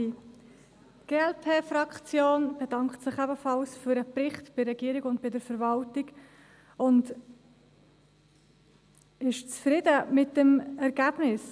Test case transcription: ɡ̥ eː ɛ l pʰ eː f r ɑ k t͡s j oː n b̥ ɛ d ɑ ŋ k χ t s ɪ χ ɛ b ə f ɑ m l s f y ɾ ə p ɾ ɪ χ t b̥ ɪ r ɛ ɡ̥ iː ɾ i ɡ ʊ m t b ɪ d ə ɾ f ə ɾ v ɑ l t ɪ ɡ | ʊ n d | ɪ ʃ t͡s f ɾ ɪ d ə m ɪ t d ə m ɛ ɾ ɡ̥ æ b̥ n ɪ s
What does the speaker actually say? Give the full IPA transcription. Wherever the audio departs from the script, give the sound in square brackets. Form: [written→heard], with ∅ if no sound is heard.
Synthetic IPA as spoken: ɡ̥ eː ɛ l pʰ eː f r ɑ k t͡s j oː n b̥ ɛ d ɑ ŋ k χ t s ɪ χ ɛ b ə f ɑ [m→∅] l s f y ɾ ə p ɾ ɪ χ t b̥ ɪ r ɛ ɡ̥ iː ɾ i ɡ ʊ [m→n] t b ɪ d ə ɾ f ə ɾ v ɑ l t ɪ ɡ | ʊ n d | ɪ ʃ t͡s f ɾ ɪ d ə m ɪ t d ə m ɛ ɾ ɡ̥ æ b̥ n ɪ s